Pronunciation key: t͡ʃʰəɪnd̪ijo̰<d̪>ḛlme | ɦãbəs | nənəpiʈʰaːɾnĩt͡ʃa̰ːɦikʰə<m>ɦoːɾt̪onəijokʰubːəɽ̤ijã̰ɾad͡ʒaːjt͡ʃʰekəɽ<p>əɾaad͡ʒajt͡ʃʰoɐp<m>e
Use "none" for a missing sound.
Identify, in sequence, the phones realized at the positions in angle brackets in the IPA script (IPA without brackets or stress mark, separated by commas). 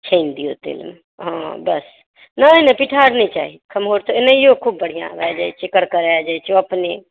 t̪, m, k, n